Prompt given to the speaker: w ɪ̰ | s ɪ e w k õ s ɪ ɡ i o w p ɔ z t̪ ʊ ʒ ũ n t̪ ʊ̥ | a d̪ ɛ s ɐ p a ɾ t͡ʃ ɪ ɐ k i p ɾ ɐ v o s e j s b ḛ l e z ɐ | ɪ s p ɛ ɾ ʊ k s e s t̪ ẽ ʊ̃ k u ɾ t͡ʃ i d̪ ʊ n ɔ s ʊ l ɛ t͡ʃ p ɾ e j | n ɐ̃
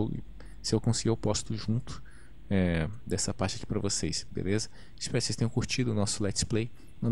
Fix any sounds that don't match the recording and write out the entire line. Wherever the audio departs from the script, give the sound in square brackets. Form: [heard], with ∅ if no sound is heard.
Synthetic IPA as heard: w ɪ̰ | s ɪ e w k õ s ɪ ɡ i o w p ɔ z t̪ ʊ ʒ ũ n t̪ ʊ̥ | [ɛ] d̪ ɛ s ɐ p a ɾ t͡ʃ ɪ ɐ k i p ɾ ɐ v o s e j s b ḛ l e z ɐ | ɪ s p ɛ ɾ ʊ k s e s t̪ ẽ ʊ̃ k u ɾ t͡ʃ i d̪ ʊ n ɔ s ʊ l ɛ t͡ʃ p [l] e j | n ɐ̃